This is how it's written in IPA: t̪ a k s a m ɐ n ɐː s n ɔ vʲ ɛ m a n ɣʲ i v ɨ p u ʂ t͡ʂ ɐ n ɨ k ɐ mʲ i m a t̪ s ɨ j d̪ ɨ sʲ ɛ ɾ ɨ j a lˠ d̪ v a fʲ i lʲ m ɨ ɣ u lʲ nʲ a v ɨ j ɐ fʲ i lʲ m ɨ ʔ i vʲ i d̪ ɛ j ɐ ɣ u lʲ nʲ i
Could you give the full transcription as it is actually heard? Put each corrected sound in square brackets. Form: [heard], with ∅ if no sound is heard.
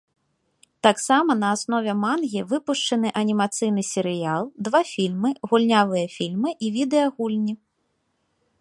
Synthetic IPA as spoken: t̪ a k s a m ɐ n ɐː s n ɔ vʲ ɛ m a n ɣʲ i v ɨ p u ʂ t͡ʂ ɐ n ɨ [ʔ] ɐ [nʲ] i m a t̪ s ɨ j [n̪] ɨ sʲ ɛ ɾ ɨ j a lˠ d̪ v a fʲ i lʲ m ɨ ɣ u lʲ nʲ a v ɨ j ɐ fʲ i lʲ m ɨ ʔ i vʲ i d̪ ɛ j ɐ ɣ u lʲ nʲ i